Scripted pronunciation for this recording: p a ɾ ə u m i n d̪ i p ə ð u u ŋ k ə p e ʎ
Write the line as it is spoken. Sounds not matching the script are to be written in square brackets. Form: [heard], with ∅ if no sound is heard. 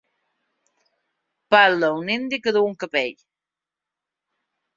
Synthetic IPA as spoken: p a [l] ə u [n] i n d̪ i [k] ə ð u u ŋ k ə p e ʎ